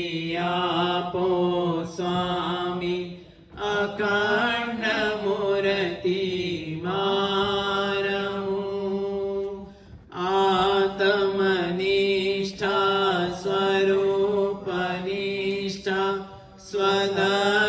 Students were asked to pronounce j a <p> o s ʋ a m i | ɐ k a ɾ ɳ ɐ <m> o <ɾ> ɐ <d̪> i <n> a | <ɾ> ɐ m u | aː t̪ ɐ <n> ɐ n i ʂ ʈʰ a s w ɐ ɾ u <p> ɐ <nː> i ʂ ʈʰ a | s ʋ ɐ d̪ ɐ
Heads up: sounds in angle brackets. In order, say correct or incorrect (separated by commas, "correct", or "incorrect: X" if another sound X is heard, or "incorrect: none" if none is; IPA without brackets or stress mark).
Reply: correct, correct, correct, incorrect: t̪, incorrect: m, correct, incorrect: m, correct, incorrect: n